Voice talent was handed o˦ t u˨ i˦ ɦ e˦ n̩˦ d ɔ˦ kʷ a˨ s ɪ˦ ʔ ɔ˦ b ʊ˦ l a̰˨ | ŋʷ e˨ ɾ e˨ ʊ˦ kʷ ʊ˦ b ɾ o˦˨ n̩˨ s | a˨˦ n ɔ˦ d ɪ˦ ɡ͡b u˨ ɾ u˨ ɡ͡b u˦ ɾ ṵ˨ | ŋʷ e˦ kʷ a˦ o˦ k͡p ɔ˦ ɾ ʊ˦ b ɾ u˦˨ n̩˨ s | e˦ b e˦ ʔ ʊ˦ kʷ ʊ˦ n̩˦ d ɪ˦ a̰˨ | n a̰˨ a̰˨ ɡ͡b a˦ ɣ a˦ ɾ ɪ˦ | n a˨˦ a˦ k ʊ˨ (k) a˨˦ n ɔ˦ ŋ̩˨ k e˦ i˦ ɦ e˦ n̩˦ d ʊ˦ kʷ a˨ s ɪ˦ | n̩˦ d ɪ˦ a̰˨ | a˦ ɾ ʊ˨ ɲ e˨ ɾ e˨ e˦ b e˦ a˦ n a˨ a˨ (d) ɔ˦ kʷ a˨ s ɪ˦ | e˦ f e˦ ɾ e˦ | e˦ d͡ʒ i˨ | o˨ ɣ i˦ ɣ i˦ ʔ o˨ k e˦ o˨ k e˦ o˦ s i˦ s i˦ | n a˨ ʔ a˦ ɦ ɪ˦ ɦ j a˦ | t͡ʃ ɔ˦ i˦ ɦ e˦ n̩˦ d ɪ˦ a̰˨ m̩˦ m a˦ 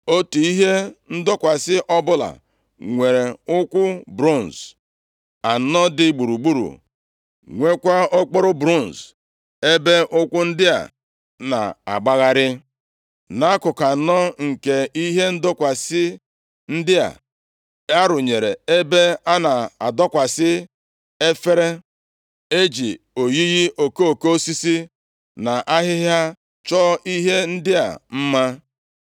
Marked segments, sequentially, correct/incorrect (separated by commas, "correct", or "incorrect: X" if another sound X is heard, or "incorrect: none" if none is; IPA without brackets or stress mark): correct, correct